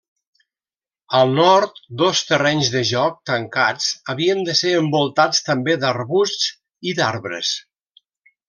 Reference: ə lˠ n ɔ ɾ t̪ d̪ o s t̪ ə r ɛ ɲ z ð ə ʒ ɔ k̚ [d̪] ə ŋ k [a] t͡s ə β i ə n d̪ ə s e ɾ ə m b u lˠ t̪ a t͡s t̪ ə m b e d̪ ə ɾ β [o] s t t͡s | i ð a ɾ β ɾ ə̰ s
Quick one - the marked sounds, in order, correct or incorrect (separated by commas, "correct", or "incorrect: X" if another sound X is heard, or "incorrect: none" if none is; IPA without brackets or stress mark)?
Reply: incorrect: t̪, correct, incorrect: u